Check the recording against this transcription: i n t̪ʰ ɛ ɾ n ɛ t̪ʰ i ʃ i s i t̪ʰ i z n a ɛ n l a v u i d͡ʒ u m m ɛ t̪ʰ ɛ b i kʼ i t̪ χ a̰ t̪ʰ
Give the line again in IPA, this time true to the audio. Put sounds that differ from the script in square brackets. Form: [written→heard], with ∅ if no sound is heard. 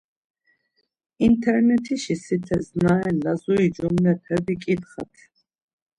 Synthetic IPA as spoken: i n t̪ʰ ɛ ɾ n ɛ t̪ʰ i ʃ i s i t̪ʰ [i→ɛ] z n a ɛ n l a [v→z] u i d͡ʒ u m [m→n] ɛ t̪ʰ ɛ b i kʼ i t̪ χ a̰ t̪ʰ

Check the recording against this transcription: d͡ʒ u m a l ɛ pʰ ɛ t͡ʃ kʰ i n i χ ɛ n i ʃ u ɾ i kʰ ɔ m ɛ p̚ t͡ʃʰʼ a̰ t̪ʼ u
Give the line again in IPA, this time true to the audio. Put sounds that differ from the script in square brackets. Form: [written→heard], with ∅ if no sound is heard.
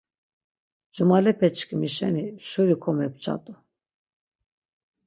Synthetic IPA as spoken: d͡ʒ u m a l ɛ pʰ ɛ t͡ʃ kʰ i [n→m] i [χ→ʃ] ɛ n i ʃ u ɾ i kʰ ɔ m ɛ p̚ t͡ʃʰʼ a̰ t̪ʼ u

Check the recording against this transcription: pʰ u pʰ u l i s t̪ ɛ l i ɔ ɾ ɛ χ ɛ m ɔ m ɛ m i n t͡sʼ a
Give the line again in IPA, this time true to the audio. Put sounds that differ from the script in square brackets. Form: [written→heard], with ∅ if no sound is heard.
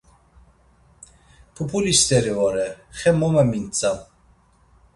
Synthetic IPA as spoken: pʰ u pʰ u l i s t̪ ɛ [l→ɾ] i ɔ ɾ ɛ χ ɛ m ɔ m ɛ m i n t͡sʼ a

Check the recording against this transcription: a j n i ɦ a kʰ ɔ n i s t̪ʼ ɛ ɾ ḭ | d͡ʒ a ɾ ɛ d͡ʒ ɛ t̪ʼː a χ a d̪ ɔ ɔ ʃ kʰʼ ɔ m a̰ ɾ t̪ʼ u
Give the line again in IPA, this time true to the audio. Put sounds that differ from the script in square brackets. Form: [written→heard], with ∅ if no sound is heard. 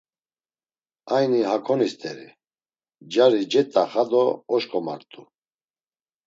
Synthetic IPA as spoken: a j n i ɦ a kʰ ɔ n i s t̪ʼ ɛ ɾ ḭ | d͡ʒ a ɾ [ɛ→i] d͡ʒ ɛ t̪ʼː a χ a d̪ ɔ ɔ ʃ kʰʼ ɔ m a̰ ɾ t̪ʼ u

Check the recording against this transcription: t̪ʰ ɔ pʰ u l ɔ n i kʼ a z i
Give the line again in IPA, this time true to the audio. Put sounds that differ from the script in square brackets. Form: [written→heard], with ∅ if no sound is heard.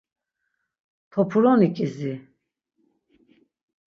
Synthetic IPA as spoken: t̪ʰ ɔ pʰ u [l→ɾ] ɔ n i kʼ [a→i] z i

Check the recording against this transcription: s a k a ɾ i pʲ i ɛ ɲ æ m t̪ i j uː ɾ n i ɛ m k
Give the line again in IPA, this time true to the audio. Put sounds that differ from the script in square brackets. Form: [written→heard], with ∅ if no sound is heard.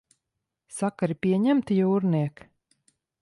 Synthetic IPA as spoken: s a k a ɾ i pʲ i ɛ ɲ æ m t̪ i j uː ɾ n i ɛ [m→∅] k

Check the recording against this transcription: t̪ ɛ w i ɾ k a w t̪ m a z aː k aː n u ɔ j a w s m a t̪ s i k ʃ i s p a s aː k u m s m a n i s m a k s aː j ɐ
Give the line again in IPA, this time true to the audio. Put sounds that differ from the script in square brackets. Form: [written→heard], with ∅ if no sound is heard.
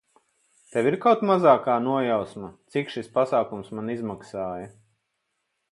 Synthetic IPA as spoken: t̪ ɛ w i ɾ k a w t̪ m a z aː k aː n u ɔ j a w s m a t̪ s i k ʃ i s p a s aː k u m s m a n i [s→z] m a k s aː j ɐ

